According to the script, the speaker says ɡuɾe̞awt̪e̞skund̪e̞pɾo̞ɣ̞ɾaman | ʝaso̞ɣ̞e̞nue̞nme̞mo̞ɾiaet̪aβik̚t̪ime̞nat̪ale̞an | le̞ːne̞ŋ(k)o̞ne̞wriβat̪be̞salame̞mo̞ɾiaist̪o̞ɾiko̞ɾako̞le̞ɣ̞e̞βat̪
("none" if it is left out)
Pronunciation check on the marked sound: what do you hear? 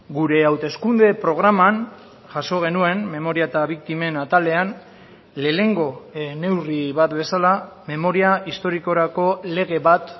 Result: ɡ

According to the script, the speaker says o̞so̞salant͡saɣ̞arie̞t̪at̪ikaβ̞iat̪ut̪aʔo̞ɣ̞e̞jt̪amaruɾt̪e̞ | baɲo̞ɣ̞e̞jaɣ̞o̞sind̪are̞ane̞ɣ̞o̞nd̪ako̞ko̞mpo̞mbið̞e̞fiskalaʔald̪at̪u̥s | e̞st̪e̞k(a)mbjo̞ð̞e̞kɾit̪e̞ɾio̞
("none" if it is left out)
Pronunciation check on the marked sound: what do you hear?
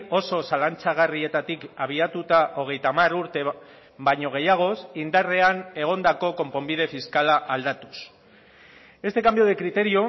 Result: a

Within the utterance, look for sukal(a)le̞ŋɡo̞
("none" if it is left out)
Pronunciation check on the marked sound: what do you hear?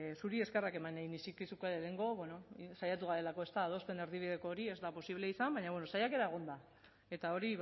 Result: e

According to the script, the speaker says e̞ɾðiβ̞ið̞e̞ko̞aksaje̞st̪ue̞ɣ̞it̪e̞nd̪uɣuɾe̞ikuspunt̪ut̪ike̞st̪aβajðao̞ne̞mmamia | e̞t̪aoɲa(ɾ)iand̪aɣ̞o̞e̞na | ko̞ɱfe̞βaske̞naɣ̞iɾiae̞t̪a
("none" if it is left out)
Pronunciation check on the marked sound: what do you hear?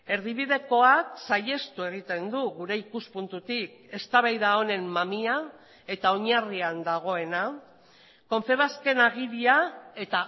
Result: r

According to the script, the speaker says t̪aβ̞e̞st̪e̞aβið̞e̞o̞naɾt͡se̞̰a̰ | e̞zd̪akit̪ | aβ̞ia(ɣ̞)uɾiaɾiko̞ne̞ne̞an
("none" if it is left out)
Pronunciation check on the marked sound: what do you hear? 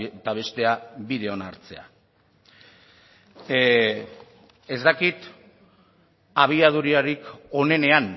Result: ð̞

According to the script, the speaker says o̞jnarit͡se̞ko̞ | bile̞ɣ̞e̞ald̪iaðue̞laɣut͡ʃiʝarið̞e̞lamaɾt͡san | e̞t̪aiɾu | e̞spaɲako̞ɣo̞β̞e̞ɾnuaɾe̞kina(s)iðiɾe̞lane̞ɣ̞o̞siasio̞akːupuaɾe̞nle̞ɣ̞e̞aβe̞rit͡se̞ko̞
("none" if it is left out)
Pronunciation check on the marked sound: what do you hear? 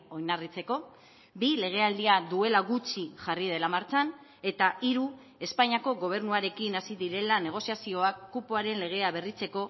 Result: s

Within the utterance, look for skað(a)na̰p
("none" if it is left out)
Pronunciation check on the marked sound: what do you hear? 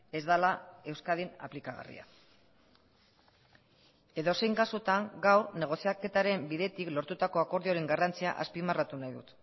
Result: i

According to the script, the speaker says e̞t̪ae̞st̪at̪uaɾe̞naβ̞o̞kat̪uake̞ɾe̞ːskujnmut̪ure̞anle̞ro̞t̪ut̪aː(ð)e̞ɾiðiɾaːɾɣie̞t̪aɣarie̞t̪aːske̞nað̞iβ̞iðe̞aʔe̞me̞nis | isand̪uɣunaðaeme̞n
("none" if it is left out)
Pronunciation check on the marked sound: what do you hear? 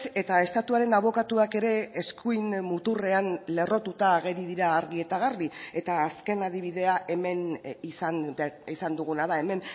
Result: ɣ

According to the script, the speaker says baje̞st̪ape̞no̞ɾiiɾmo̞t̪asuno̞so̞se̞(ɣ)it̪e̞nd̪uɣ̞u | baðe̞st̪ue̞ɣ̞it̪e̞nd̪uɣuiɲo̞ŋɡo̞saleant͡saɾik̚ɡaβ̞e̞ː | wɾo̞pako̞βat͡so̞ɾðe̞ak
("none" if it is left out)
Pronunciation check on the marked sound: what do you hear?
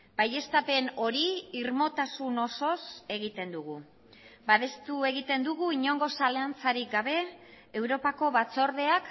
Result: ɣ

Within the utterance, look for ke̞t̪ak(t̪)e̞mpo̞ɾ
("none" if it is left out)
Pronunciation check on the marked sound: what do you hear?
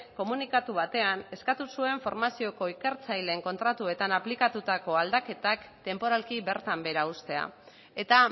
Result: t̪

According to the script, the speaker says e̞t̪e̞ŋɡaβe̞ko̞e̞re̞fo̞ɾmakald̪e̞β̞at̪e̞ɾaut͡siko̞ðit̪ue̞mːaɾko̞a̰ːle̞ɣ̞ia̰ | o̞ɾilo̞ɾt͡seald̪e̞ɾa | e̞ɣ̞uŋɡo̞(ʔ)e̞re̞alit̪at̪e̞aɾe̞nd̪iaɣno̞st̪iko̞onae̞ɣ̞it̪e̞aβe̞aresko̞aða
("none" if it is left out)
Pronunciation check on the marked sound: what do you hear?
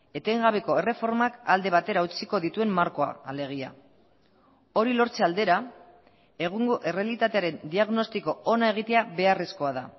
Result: ʔ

